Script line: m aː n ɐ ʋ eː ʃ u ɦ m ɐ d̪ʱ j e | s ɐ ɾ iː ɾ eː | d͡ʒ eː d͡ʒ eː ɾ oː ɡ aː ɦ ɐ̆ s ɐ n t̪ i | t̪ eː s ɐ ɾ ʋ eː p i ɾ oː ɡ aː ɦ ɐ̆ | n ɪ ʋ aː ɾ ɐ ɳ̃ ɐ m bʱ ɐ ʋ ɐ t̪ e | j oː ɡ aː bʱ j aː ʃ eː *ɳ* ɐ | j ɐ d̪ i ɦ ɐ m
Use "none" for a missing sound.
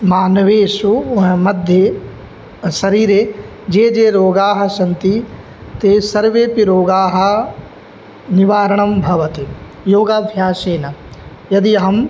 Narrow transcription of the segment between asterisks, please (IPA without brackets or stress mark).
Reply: n